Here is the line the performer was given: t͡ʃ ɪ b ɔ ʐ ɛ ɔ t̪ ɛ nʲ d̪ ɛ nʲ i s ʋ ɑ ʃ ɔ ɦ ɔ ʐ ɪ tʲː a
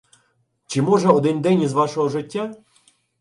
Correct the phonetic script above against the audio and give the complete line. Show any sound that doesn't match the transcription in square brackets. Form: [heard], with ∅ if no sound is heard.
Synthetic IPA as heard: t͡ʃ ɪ [m] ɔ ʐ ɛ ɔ [d̪] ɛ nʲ d̪ ɛ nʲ i [z] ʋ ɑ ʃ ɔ ɦ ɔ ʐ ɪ tʲː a